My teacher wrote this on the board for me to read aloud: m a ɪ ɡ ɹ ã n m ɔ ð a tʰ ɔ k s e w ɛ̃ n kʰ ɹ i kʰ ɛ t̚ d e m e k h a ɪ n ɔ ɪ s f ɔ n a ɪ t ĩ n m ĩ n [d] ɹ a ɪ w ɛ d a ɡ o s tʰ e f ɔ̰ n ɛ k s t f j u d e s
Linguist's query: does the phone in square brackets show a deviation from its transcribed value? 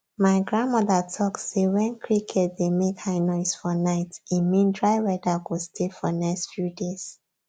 no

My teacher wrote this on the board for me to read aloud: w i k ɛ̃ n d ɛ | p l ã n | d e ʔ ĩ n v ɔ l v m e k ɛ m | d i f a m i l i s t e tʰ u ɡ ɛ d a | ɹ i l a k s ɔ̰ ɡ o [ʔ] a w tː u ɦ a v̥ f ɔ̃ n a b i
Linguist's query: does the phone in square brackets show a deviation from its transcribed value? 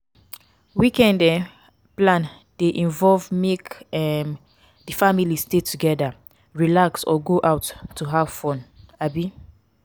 no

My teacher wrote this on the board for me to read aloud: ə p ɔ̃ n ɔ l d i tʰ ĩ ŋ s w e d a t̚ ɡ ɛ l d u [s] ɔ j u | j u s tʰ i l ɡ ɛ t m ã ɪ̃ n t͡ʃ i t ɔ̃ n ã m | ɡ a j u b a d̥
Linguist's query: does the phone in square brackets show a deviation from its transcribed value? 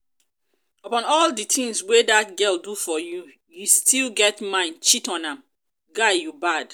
yes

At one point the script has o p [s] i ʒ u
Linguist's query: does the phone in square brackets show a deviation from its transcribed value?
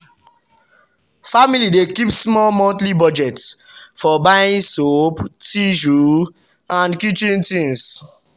yes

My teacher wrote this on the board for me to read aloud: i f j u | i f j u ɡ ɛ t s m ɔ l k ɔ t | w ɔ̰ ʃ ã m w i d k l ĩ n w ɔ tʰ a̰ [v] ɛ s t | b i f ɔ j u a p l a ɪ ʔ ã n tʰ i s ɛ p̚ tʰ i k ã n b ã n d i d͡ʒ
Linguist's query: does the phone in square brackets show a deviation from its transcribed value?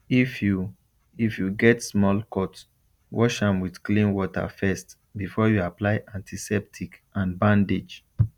yes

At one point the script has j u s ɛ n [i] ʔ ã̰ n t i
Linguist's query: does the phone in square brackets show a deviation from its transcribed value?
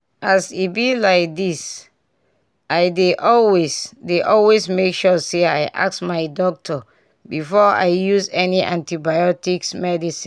no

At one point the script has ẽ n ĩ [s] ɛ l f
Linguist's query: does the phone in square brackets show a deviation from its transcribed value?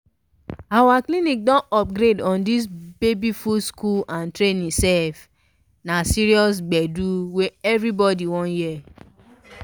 no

